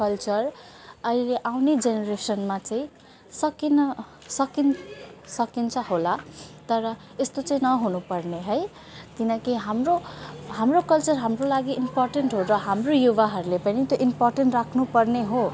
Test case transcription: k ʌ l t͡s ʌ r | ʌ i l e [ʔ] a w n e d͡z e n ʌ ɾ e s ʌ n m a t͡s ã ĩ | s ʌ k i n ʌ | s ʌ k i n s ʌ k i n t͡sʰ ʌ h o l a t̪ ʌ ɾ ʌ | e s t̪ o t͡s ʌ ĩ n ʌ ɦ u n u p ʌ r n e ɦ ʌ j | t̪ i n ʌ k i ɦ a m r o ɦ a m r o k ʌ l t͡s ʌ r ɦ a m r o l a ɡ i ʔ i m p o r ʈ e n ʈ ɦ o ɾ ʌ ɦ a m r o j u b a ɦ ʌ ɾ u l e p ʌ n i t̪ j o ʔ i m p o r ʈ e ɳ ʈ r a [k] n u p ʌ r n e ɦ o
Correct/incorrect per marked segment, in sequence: correct, incorrect: kʰ

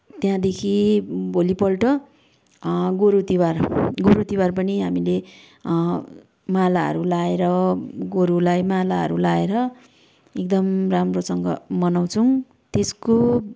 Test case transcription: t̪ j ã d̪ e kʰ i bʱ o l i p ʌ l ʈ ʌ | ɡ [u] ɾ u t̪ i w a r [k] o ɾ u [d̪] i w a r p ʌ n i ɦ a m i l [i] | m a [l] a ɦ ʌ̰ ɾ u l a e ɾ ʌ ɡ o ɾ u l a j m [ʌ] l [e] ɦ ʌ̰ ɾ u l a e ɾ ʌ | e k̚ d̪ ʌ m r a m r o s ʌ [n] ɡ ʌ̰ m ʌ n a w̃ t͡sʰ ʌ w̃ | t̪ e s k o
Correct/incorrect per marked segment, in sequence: incorrect: o, incorrect: ɡ, incorrect: t̪, incorrect: e, correct, incorrect: a, incorrect: a, incorrect: ŋ

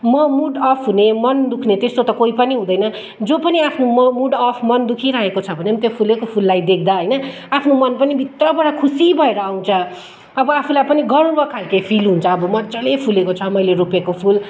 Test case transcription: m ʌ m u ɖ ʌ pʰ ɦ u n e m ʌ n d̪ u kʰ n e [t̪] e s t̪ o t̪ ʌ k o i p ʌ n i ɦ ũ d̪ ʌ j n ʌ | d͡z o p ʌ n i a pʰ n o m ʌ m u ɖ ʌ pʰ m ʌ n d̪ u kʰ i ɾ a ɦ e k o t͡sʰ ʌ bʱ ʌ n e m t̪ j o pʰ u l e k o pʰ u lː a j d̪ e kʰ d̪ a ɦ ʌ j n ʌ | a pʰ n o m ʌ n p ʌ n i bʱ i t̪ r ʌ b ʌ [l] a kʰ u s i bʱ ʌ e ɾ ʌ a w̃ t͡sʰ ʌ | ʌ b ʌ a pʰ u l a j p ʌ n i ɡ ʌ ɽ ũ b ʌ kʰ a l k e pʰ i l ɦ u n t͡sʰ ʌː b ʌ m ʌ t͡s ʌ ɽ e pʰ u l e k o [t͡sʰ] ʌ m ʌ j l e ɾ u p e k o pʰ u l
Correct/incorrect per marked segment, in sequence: correct, incorrect: ɽ, correct

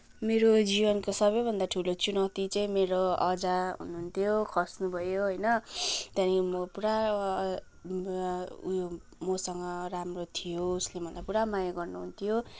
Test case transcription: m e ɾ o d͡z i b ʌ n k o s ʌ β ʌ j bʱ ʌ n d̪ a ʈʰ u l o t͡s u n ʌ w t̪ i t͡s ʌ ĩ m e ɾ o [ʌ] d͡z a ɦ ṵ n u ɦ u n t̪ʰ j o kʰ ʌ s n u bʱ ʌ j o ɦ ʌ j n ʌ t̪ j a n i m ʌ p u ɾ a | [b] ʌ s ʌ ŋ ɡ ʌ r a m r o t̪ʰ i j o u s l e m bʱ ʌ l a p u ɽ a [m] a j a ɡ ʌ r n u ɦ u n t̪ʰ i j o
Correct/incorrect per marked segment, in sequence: correct, incorrect: m, correct

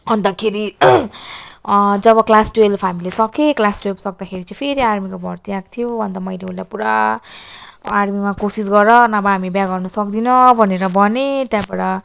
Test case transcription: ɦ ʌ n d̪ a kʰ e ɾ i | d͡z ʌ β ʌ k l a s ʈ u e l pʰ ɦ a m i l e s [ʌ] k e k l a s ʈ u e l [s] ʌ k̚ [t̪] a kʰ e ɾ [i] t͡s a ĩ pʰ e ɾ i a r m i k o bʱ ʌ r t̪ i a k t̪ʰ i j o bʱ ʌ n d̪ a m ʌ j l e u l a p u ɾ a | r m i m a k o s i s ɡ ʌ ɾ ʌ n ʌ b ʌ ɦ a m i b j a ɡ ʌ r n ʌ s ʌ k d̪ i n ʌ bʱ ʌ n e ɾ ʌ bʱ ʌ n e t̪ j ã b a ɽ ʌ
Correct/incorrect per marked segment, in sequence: correct, correct, incorrect: d̪, correct

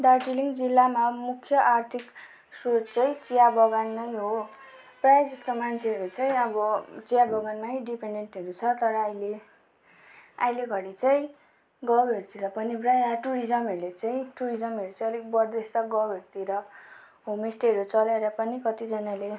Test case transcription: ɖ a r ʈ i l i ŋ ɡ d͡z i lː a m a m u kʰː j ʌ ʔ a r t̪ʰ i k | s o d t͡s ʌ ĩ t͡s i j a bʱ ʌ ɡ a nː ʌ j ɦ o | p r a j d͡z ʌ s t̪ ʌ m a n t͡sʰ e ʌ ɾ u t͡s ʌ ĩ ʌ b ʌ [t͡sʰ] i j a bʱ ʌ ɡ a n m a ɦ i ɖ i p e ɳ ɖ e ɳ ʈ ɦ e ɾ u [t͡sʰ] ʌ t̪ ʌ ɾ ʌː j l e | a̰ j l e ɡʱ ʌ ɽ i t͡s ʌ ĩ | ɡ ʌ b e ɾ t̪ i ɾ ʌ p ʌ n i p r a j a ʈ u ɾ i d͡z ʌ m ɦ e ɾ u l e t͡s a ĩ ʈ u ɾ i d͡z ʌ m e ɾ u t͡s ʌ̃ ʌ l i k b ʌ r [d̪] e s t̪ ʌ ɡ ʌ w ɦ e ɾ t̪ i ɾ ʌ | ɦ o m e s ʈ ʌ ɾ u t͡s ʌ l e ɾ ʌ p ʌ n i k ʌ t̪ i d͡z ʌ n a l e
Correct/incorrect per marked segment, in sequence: incorrect: t͡s, correct, correct

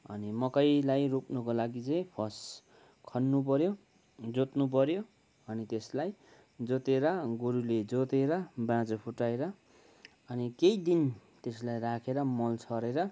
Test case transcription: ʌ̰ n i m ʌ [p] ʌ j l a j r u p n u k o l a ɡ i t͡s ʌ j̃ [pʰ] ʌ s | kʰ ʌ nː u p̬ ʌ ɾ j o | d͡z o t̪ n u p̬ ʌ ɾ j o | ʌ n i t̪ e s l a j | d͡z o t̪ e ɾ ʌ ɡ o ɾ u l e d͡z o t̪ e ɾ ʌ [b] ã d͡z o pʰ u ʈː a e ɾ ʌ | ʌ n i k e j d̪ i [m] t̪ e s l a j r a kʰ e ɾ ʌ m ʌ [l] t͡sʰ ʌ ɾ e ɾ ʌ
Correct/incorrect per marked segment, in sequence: incorrect: k, correct, correct, incorrect: n, correct

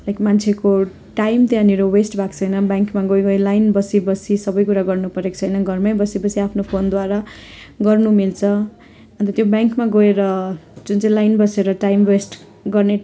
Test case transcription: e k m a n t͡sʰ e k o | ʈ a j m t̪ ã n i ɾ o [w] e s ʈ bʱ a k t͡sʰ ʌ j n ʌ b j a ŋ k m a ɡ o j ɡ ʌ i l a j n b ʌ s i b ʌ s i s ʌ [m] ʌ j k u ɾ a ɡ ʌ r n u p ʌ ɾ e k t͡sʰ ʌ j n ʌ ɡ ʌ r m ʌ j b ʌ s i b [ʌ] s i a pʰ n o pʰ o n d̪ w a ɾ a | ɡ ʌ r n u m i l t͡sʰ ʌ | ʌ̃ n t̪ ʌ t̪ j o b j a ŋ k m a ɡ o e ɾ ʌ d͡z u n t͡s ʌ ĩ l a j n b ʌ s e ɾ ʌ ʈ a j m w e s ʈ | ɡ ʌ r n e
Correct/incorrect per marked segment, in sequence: correct, incorrect: b, correct

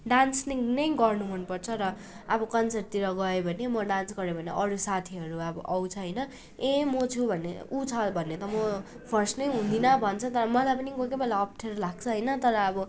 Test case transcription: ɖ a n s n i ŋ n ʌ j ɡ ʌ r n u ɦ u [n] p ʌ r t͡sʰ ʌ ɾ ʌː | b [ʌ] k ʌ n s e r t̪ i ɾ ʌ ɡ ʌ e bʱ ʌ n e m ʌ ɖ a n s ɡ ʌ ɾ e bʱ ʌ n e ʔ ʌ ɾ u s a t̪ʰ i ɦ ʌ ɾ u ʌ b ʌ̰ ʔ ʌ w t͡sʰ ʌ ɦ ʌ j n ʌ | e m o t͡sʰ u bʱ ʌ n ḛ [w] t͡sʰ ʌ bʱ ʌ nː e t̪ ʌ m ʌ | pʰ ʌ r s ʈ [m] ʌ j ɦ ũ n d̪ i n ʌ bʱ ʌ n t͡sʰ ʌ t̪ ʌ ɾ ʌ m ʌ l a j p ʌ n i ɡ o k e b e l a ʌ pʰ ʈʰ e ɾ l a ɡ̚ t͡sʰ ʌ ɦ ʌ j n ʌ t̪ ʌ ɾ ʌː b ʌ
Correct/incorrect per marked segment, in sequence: correct, correct, incorrect: u, incorrect: n

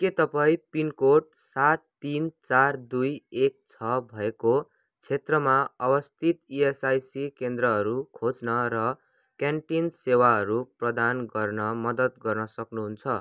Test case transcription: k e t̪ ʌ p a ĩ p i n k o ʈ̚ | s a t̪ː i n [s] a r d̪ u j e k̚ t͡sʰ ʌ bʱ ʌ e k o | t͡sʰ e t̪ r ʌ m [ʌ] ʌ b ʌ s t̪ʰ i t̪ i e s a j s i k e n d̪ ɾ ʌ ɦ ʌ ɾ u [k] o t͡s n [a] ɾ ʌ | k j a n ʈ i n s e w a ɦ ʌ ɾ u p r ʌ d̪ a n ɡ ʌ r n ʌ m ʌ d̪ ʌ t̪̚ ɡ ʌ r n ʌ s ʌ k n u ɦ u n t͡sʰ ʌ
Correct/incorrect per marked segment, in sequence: incorrect: t͡s, incorrect: a, incorrect: kʰ, incorrect: ʌ

